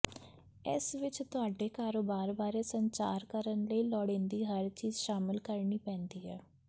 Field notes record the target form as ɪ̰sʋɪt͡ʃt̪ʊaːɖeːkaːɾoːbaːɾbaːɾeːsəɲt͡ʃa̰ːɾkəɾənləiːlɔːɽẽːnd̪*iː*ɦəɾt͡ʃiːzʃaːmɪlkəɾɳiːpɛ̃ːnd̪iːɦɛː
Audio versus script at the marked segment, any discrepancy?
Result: no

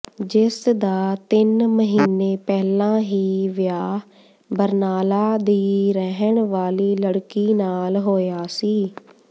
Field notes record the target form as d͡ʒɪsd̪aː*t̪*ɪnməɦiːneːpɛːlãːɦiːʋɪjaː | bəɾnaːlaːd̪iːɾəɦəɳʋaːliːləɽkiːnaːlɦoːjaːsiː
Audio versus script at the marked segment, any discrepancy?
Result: no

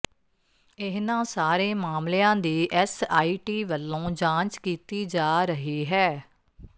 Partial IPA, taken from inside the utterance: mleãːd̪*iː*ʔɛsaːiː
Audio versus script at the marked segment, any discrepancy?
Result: no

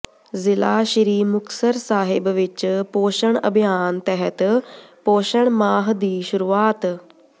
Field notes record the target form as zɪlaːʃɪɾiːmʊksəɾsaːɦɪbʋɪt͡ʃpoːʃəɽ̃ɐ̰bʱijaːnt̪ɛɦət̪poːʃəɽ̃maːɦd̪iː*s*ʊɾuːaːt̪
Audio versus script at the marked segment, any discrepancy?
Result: yes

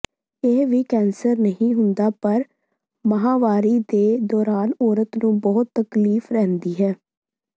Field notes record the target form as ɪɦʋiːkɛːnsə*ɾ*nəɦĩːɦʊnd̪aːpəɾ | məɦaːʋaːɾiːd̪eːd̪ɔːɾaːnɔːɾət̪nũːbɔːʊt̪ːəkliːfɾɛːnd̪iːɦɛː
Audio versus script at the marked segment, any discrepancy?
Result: no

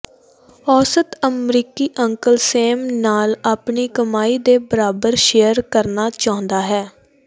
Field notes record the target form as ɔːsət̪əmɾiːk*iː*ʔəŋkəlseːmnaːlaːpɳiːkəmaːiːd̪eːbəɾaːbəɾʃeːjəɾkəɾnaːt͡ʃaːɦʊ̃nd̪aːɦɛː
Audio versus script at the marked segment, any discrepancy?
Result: no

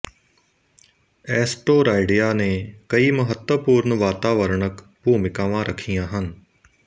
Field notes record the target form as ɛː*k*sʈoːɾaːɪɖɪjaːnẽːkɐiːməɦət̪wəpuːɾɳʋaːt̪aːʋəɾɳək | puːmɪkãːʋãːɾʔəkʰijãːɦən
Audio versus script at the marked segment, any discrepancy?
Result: yes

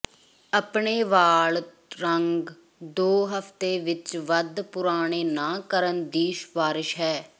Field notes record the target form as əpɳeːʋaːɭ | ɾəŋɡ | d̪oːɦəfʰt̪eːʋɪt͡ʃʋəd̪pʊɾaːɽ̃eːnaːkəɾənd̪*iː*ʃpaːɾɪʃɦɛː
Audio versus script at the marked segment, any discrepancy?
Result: no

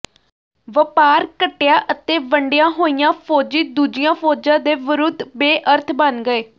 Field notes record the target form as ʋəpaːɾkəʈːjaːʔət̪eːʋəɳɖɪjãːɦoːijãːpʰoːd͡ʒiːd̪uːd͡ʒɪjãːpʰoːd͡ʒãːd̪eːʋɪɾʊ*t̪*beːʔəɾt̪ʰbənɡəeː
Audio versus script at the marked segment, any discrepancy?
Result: yes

